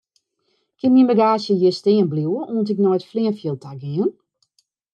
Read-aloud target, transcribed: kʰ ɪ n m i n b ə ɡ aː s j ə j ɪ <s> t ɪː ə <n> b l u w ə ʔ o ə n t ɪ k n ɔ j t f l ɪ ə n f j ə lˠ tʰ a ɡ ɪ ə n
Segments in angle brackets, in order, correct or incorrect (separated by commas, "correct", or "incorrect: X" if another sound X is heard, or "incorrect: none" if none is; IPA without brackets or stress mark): correct, correct